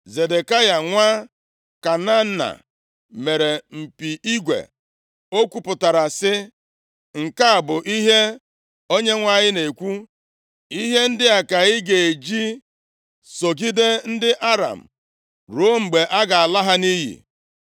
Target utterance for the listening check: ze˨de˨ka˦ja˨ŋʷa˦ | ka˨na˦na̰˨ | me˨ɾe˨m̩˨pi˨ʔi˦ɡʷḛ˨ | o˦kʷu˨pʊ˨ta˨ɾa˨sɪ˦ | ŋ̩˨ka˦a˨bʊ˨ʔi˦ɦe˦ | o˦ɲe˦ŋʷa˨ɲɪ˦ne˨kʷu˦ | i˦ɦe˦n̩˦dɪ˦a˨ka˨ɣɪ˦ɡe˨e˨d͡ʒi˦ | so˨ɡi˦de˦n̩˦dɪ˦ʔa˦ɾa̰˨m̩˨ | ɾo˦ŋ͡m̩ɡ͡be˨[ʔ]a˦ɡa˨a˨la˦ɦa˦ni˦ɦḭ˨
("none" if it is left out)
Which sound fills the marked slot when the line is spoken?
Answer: ʔ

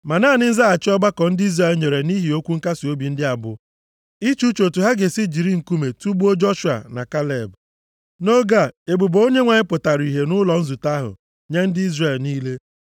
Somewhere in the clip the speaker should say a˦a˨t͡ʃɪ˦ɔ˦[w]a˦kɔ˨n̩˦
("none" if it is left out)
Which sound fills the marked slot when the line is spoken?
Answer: b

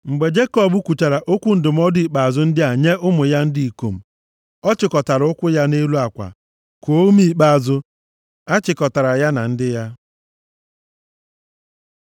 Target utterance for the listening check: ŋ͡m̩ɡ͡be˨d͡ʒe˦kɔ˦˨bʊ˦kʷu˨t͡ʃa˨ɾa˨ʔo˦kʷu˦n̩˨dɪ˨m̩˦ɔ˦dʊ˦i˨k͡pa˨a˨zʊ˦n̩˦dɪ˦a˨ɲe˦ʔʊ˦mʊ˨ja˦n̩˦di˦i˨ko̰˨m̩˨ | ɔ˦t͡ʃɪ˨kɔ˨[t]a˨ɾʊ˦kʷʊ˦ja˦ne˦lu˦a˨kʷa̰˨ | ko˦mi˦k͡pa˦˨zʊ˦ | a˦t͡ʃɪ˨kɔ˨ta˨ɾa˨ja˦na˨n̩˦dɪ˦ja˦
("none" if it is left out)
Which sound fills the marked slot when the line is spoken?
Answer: t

